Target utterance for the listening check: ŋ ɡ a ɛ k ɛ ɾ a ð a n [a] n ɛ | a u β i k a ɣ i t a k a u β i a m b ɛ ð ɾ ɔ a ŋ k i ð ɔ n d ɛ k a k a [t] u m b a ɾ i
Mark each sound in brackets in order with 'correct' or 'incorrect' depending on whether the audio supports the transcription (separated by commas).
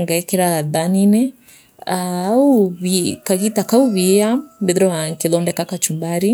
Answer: incorrect, incorrect